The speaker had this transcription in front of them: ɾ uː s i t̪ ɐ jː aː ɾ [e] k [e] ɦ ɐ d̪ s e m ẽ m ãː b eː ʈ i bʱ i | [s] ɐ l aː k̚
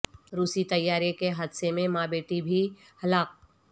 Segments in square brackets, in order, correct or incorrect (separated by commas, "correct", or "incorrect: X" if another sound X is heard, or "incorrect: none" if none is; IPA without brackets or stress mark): correct, correct, incorrect: h